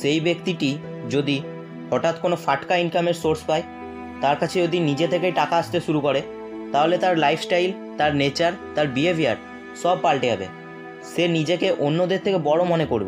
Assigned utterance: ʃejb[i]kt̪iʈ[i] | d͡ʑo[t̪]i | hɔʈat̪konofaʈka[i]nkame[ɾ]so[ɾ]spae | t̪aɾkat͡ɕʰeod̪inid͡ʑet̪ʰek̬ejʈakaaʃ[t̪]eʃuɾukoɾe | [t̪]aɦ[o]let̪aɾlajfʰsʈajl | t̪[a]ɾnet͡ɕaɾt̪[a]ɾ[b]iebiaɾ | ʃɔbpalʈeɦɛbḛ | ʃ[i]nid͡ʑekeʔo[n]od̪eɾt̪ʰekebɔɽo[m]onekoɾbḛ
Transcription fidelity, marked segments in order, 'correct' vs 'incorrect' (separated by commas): incorrect, correct, incorrect, correct, correct, correct, correct, correct, correct, correct, correct, correct, incorrect, incorrect, correct